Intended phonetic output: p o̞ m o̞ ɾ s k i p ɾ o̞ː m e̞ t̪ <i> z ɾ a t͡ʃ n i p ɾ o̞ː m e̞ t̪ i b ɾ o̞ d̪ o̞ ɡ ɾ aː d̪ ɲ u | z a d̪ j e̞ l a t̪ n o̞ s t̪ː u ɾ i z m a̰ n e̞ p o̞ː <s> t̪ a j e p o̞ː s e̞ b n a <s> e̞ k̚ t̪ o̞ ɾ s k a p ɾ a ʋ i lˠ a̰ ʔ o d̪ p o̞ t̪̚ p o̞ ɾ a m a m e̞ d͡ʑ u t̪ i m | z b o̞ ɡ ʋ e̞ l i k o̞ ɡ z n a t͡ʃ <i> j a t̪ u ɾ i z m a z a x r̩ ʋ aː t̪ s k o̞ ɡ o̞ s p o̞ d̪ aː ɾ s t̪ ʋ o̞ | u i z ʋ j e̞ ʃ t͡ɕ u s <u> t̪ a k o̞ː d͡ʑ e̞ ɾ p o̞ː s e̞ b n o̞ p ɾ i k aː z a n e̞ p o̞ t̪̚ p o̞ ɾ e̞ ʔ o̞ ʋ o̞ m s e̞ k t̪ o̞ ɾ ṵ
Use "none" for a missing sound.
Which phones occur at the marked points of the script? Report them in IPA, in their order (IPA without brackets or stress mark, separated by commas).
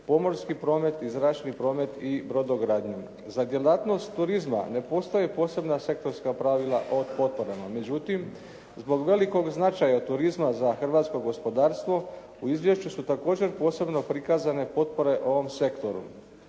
i, s, s, a, u